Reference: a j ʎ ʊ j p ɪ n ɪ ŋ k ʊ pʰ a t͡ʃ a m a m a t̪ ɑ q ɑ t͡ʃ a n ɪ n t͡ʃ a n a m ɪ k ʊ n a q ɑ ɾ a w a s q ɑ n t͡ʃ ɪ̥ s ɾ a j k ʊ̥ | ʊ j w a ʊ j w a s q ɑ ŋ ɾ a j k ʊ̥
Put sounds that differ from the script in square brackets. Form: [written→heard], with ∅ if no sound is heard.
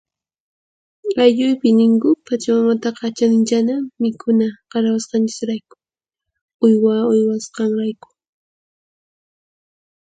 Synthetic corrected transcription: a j ʎ ʊ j p ɪ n ɪ ŋ k ʊ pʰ a t͡ʃ a m a m a t̪ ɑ q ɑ t͡ʃ a n ɪ n t͡ʃ a n a m ɪ k ʊ n a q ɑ ɾ a w a s q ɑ n t͡ʃ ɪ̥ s ɾ a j k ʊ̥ | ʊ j w a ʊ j w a s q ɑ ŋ ɾ a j k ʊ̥